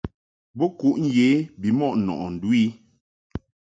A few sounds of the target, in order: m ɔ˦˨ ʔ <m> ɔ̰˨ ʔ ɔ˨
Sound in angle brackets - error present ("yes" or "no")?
yes